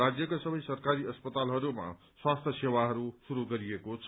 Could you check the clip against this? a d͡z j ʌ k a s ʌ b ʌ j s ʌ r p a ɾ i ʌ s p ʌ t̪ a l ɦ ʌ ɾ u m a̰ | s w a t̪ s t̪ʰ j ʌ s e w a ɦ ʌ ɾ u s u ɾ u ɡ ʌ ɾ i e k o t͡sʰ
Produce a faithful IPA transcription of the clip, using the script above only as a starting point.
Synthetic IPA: a d͡z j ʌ k a s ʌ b ʌ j s ʌ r k a ɾ i ʌ s p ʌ t̪ a l ɦ ʌ ɾ u m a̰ | s w a s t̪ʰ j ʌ s e w a ɦ ʌ ɾ u s u ɾ u ɡ ʌ ɾ i e k o t͡sʰ